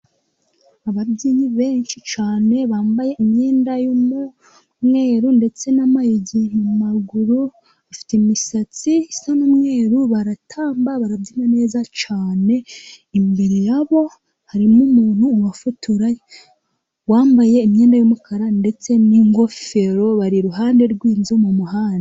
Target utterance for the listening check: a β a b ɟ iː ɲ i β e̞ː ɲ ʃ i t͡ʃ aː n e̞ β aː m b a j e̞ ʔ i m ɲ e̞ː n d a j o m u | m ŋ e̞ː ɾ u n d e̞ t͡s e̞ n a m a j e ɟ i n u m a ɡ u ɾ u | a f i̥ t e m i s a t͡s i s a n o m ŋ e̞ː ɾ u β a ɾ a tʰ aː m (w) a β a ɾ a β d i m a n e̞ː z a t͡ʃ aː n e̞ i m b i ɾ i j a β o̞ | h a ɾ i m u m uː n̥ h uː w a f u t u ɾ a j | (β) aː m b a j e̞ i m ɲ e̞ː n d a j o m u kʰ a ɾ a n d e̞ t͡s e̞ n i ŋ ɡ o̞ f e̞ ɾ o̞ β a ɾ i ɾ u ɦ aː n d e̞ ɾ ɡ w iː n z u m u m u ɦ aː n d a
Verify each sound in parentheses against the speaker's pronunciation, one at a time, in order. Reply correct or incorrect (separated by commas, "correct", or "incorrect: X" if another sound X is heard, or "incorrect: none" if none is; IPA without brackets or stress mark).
incorrect: b, incorrect: w